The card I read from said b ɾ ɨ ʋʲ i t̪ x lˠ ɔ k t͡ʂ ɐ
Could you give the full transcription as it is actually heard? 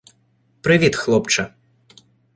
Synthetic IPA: p ɾ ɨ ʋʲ i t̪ x lˠ ɔ p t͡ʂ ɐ